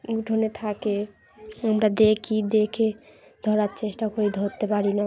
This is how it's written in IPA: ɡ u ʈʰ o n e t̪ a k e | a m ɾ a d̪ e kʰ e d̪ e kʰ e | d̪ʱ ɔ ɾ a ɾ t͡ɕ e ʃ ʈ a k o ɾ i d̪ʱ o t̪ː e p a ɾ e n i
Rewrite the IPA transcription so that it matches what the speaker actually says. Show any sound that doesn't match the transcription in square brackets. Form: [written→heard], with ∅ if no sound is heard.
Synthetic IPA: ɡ u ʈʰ o n e [t̪→t̪ʰ] a k e | a m ɾ a d̪ e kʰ [e→i] d̪ e kʰ e | d̪ʱ ɔ ɾ a ɾ t͡ɕ e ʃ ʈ a k o ɾ i d̪ʱ o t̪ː e p a ɾ [e→i] n [i→a]